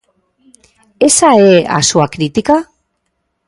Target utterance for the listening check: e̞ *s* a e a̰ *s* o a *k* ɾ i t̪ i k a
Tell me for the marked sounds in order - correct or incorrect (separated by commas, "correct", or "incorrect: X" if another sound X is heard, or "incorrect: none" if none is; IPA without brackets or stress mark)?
correct, correct, correct